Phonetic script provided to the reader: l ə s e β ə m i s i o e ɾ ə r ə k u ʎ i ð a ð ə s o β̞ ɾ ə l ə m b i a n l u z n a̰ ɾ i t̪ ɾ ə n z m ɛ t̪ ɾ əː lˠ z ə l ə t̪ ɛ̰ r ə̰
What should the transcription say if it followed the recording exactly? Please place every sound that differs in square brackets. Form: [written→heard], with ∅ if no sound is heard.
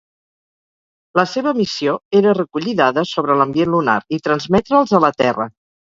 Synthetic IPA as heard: l ə s e β ə m i s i o e ɾ ə r ə k u ʎ i ð a ð ə s o β̞ ɾ ə l ə m b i [a→e] n l u [z→∅] n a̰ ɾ i t̪ ɾ ə n z m ɛ t̪ ɾ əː lˠ z ə l ə t̪ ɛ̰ r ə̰